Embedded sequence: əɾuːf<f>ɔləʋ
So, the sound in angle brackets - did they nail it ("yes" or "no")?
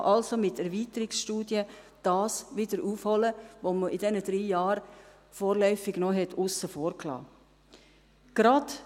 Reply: no